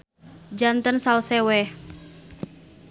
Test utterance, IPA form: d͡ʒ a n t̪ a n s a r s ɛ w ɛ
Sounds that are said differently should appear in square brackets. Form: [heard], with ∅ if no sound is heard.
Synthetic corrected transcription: d͡ʒ a n t̪ [ə] n s a [l] s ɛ w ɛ